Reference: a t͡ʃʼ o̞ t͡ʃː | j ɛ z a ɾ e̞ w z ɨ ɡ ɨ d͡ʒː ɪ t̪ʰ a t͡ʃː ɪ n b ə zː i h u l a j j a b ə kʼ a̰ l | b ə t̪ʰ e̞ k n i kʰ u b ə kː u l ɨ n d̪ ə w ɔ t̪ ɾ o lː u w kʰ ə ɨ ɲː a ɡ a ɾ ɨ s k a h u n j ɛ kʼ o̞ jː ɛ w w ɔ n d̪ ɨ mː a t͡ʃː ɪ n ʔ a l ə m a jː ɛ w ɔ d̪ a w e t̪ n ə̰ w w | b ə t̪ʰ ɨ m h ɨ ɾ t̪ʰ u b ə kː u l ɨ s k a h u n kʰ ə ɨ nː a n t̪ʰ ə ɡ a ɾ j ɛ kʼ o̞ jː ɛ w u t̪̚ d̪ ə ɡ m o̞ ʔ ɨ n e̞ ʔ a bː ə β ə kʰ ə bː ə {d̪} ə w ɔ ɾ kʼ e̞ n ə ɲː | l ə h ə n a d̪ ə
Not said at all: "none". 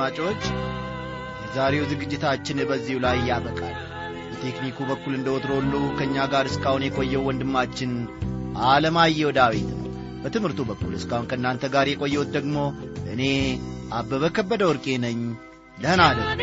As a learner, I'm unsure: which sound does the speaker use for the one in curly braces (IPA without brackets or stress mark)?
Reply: d̪